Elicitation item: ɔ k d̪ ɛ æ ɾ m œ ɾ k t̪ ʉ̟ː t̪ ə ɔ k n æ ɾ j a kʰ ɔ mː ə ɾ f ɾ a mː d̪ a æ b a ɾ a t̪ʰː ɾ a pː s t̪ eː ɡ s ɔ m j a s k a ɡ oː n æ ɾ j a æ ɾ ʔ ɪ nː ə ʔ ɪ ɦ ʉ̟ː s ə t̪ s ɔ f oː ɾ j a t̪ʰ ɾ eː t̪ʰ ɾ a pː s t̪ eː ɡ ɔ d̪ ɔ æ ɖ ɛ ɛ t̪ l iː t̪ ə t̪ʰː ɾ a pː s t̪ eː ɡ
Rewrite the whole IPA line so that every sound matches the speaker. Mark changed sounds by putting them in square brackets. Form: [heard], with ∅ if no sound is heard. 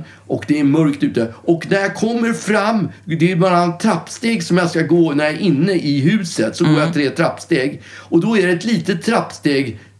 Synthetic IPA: ɔ k d̪ ɛ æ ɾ m œ ɾ k t̪ ʉ̟ː t̪ ə ɔ k n æ ɾ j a kʰ ɔ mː ə ɾ f ɾ a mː d̪ [ɛ] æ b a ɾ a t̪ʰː ɾ a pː s t̪ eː ɡ s ɔ m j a s k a ɡ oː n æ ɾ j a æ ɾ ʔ ɪ nː ə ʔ ɪ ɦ ʉ̟ː s ə t̪ s ɔ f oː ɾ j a t̪ʰ ɾ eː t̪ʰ ɾ a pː s t̪ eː ɡ ɔ d̪ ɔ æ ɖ ɛ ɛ t̪ l iː t̪ ə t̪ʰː ɾ a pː s t̪ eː ɡ